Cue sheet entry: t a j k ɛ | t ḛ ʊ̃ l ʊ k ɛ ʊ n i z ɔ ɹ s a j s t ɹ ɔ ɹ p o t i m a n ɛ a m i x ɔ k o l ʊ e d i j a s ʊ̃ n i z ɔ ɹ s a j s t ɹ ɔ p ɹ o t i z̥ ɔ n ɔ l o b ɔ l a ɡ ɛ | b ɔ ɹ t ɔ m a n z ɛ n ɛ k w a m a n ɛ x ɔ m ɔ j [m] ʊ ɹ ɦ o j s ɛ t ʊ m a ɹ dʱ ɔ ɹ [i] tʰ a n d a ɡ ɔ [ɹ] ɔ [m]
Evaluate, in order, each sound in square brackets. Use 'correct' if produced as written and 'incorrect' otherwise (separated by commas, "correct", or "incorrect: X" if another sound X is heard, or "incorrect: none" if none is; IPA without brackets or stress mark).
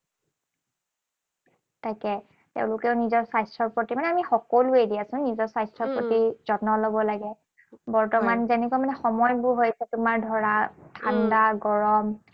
incorrect: b, incorrect: a, correct, correct